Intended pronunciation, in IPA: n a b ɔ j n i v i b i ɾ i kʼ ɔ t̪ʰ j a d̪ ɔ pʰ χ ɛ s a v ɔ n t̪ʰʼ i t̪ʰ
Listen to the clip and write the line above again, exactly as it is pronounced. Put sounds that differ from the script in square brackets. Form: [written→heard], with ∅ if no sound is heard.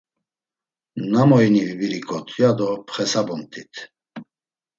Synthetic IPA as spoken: n a [b→m] ɔ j n i v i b i ɾ i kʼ ɔ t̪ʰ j a d̪ ɔ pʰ χ ɛ s a [v→b] ɔ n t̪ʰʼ i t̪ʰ